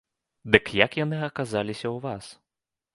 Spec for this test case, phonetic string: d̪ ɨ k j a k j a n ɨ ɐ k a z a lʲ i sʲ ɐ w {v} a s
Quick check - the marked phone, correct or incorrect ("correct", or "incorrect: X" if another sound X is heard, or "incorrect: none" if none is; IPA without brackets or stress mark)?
correct